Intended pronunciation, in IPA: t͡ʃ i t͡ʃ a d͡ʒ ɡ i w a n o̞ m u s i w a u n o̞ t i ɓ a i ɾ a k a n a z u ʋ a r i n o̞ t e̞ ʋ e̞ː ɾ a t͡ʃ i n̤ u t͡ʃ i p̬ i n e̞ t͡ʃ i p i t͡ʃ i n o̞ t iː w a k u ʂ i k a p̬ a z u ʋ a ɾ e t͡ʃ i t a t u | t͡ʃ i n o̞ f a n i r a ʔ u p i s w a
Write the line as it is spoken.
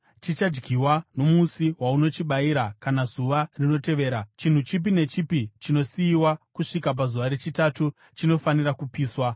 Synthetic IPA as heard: t͡ʃ i t͡ʃ a d͡ʒ ɡ i w a n o̞ m u s i w a u n o̞ t͡ʃ i ɓ a i ɾ a k a n a z u ʋ a r i n o̞ t e̞ ʋ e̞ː ɾ a t͡ʃ i n̤ u t͡ʃ i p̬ i n e̞ t͡ʃ i p i t͡ʃ i n o̞ s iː w a k u ʂ i k a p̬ a z u ʋ a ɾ e t͡ʃ i t a t u | t͡ʃ i n o̞ f a n i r a k u p iː s w a

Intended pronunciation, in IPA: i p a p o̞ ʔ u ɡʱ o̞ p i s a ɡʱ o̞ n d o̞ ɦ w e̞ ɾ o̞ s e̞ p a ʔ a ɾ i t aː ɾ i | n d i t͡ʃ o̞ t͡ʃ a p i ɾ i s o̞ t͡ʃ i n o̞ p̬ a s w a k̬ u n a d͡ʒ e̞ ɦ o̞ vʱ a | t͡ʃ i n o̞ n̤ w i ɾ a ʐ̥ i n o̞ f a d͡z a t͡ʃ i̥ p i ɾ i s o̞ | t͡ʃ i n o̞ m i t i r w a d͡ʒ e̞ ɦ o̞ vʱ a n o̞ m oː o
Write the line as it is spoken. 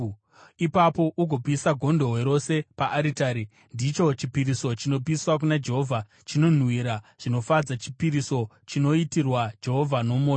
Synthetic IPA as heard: i p a p o̞ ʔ u ɡʱ o̞ p i s a ɡʱ o̞ n d o̞ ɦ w e̞ ɾ o̞ s e̞ p a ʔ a ɾ i t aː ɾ i | n d i t͡ʃ o̞ t͡ʃ i p i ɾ i s o̞ t͡ʃ i n o̞ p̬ i s w a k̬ u n a d͡ʒ e̞ ɦ o̞ vʱ a | t͡ʃ i n o̞ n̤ w i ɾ a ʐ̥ i n o̞ f a d͡z a t͡ʃ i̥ p i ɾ i s o̞ | t͡ʃ i n o̞ i t i r w a d͡ʒ e̞ ɦ o̞ vʱ a n o̞ m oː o

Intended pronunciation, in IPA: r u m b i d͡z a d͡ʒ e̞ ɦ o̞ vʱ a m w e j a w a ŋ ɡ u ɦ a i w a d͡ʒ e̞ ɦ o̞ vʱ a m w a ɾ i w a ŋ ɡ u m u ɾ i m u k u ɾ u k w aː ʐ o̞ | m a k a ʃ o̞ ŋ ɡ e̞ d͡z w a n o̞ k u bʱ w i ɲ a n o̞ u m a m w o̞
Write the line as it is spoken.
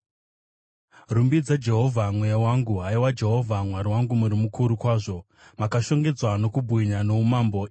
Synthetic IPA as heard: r u m b i d͡z a d͡ʒ e̞ ɦ o̞ vʱ a m w e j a w a ŋ ɡ u ɦ a i w a d͡ʒ e̞ ɦ o̞ vʱ a m w a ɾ i w a ŋ ɡ u m u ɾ i m u k u ɾ u k w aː ʐ o̞ | m a k a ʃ o̞ ŋ ɡ e̞ d͡z w a n o̞ k u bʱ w i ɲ a n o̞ u m a m b o̞

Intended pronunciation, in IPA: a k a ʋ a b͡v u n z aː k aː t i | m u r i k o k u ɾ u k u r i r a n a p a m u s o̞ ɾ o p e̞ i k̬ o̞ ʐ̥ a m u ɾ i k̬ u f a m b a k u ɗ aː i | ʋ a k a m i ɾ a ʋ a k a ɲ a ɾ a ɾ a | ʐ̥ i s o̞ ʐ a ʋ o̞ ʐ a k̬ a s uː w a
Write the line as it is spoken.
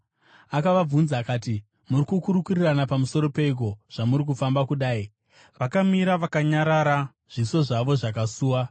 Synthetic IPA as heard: a k a ʋ a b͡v u n z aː k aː t i | m u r i k u k u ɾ u k u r i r a n a p a m u s o̞ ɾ o p e̞ i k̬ o̞ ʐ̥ a m u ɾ i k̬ u f a m b a k u ɗ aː i | ʋ a k a m i ɾ a ʋ a k a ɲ a ɾ a ɾ a | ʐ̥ i s o̞ ʐ a ʋ o̞ ʐ a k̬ a s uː w a

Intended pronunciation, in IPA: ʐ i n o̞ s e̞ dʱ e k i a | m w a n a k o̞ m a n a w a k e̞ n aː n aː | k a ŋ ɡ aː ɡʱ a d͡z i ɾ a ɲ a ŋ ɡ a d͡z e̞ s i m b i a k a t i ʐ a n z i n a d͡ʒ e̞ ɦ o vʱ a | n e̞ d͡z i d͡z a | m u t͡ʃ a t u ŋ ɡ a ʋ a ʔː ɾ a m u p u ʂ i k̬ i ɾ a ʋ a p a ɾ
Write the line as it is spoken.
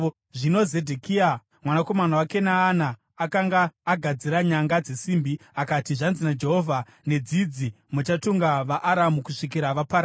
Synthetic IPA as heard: ʐ i n o̞ z e̞ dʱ e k i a | m w a n a k o̞ m a n a w a k e̞ n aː n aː | k a ŋ ɡ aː ɡʱ a d͡z i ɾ a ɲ a ŋ ɡ a d͡z e̞ s i m b i a k a t i ʐ a n z i n a d͡ʒ e̞ ɦ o vʱ a | n e̞ d͡z i d͡z i | m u t͡ʃ a t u ŋ ɡ a ʋ a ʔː ɾ a m u k u ʂ i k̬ i ɾ a ʋ a p a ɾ

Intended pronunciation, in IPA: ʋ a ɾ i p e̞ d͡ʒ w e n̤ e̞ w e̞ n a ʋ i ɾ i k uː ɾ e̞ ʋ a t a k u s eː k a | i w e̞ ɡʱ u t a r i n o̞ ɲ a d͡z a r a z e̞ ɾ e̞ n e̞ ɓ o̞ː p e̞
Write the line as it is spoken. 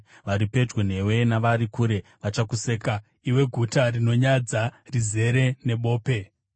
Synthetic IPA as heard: ʋ a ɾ i p e̞ d͡ʒ w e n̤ e̞ w e̞ n a ʋ a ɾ i k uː ɾ e̞ ʋ a t͡ʃ a k u s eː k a | i w e̞ ɡʱ u t a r i n o̞ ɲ a d͡z a r i z e̞ ɾ e̞ n e̞ ɓ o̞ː p e̞

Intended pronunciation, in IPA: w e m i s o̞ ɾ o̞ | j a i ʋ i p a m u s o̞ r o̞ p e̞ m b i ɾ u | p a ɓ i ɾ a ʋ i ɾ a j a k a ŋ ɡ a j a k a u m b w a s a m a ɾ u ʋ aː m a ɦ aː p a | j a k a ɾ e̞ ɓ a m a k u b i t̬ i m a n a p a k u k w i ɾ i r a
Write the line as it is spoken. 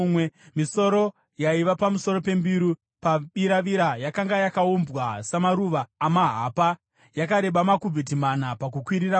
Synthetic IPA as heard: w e m i s o̞ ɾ o̞ | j a i ʋ a p a m u s o̞ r o̞ p e̞ m b i ɾ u | p a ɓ i ɾ a ʋ i ɾ a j a k a ŋ ɡ a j a k a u m b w a s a m a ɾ u ʋ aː m a ɦ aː p a | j a k a ɾ e̞ ɓ a m a k u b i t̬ i m a n a p a k u k w i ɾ i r a

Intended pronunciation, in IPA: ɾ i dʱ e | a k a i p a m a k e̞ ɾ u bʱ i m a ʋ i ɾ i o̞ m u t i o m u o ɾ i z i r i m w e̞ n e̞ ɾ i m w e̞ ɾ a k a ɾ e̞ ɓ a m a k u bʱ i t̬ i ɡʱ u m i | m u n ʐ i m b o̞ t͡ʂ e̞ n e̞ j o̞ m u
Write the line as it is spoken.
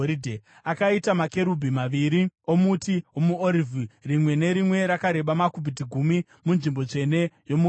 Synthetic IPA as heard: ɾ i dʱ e | a k a i t a m a k e̞ ɾ u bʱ i m a ʋ i ɾ i o̞ m u t i o m u o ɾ i v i r i m w e̞ n e̞ ɾ i m w e̞ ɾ a k a ɾ e̞ ɓ a m a k u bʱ i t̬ i ɡʱ u m i | m u n ʐ i m b o̞ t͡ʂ e̞ n e̞ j o̞ m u

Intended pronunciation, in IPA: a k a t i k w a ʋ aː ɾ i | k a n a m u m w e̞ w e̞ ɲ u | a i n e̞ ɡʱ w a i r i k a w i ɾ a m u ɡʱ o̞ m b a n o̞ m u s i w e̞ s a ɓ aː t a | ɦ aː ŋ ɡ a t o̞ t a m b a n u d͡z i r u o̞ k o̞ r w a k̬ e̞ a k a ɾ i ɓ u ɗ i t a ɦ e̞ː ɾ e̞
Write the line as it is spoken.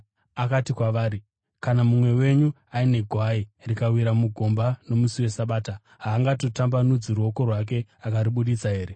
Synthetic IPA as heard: a k a t i k w a ʋ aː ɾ i | k a n a m u m w e̞ w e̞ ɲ u | a i n e̞ ɡʱ w a i r i k a w i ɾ a m u ɡʱ o̞ m b a n o̞ m u s i w e̞ s a ɓ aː t a | ɦ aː ŋ ɡ a t o̞ t a m b a n u d͡z i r u o̞ k o̞ r w a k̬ e̞ a k a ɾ i ɓ u ɗ i t͡s a ɦ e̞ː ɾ e̞

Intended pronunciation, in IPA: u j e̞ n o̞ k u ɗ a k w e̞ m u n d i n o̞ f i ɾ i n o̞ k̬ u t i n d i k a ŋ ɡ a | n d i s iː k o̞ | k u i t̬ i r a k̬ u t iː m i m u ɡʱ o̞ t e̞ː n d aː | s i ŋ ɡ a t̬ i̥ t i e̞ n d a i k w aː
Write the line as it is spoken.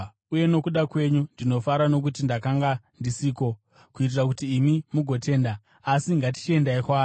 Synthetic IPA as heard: u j e̞ n o̞ k u ɗ a k w e̞ ɲ u n d i n o̞ f a ɾ a n o̞ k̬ u t i n d a k a ŋ ɡ a | n d i s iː k o̞ | k u i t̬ i r a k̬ u t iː m i m u ɡʱ o̞ t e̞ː n d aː | s i ŋ ɡ a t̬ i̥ t͡ʃ i e̞ n d a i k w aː

